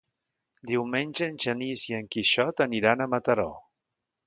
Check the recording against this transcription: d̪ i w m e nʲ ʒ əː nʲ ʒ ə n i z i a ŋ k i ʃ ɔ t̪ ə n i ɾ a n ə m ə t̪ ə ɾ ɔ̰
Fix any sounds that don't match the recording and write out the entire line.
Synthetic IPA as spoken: d̪ i w m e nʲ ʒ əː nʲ ʒ ə n i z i ə ŋ k i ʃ ɔ t̪ ə n i ɾ a n ə m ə t̪ ə ɾ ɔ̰